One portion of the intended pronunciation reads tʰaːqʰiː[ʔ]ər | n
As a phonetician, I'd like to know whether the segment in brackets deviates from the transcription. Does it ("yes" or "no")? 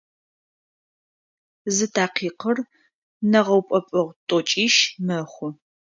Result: yes